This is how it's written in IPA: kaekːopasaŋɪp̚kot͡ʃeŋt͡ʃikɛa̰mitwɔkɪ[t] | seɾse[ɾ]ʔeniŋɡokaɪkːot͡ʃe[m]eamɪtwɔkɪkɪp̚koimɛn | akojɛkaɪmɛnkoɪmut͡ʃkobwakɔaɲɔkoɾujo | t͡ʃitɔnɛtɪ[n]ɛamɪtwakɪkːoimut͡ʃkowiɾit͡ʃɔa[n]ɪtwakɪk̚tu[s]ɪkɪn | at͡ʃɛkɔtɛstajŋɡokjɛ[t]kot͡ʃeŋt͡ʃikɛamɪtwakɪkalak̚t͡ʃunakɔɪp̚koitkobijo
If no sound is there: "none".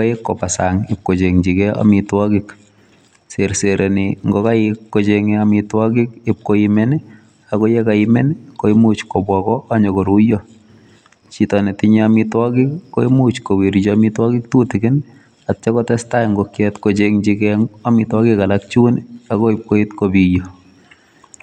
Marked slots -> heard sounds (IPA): k, ɾ, ŋ, ɲ, m, t, t

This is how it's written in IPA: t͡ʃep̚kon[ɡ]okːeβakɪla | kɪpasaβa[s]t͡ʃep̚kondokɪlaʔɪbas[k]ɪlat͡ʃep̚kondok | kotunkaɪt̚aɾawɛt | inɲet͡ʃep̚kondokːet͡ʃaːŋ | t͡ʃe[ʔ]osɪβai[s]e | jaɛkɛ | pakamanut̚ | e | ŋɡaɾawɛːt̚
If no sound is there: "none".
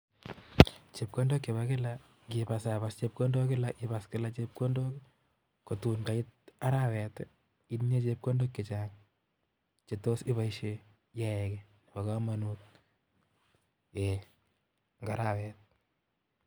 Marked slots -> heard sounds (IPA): d, s, k, t, ʃ

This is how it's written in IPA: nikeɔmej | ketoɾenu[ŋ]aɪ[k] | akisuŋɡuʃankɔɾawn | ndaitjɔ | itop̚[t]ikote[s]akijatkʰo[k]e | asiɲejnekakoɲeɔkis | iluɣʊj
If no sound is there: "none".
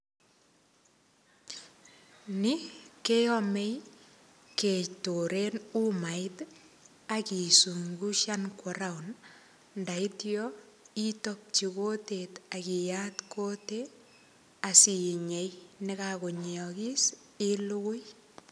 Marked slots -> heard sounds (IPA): m, t, t͡ʃ, t, t

